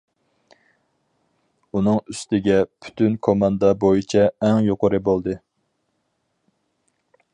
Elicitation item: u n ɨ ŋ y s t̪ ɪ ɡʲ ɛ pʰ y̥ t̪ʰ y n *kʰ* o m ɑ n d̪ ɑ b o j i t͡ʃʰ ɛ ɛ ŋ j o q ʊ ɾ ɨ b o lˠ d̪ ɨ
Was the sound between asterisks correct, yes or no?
yes